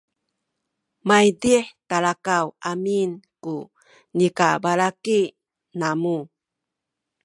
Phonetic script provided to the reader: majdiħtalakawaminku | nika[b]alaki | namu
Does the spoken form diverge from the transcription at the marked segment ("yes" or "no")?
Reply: no